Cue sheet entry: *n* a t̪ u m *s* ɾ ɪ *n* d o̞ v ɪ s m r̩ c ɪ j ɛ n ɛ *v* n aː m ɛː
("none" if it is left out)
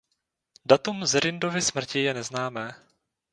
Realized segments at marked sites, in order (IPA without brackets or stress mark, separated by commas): d, z, n, z